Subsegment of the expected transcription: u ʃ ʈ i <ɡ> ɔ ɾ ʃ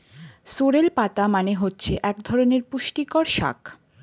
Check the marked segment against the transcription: incorrect: k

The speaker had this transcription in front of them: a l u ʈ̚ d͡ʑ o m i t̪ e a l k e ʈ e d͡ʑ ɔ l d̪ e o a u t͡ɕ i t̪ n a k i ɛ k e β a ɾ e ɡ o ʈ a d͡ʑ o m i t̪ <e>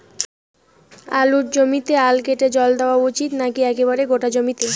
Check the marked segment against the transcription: correct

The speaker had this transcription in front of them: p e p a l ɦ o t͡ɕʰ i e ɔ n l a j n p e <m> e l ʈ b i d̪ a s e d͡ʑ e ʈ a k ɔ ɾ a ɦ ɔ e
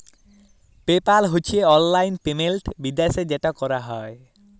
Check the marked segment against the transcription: correct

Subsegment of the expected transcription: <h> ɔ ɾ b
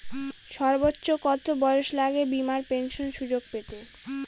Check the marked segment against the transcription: incorrect: ʃ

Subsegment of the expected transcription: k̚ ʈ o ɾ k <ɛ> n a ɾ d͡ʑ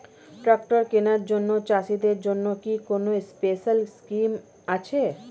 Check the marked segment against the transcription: incorrect: e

